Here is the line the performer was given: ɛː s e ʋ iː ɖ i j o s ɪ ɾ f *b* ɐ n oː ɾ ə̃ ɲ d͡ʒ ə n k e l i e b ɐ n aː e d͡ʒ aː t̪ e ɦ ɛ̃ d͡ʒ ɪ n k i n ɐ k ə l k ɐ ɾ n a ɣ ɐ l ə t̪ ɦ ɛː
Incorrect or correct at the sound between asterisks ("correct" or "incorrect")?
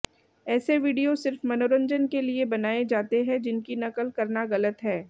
incorrect